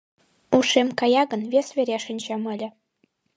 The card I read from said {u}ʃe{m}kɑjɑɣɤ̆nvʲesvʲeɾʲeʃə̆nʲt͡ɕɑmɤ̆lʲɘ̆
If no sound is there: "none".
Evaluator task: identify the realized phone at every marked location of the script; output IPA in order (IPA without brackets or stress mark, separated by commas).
u, m